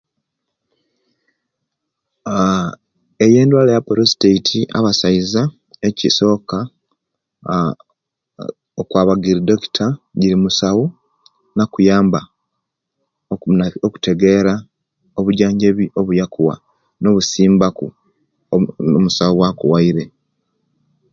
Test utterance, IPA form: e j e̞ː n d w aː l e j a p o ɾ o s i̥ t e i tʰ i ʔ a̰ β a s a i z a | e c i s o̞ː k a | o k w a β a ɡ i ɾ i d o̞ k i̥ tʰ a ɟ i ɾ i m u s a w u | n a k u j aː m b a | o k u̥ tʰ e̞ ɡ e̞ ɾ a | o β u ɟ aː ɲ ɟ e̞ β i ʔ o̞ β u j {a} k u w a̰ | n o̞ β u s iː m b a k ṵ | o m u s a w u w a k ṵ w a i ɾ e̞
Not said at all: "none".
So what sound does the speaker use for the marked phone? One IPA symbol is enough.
a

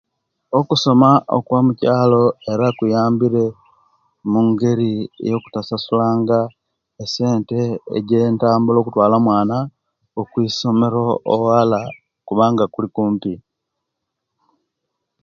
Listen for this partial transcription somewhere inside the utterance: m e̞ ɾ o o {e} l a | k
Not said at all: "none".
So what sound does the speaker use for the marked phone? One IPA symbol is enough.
a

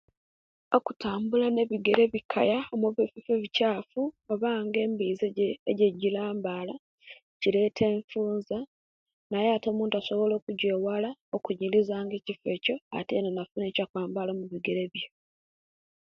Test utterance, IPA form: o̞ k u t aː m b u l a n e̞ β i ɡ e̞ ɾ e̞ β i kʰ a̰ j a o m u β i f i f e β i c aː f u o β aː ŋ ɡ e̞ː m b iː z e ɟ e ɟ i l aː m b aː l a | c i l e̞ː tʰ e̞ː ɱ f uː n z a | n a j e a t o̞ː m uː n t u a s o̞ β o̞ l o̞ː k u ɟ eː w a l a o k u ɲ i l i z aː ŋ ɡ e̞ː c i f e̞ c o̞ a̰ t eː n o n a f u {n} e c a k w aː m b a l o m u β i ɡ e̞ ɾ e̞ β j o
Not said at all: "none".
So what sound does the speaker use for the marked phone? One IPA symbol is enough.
n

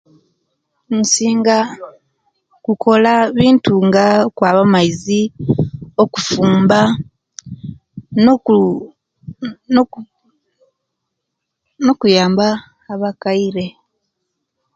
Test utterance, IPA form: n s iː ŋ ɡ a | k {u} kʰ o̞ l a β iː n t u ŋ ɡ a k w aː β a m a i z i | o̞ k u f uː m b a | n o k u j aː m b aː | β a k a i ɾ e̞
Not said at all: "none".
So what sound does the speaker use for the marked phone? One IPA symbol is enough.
u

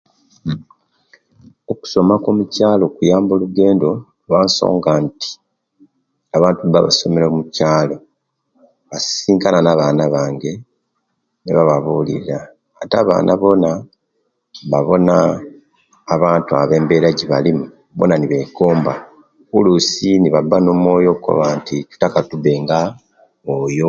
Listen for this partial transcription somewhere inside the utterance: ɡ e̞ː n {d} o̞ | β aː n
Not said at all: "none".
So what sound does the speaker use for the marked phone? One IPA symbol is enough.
d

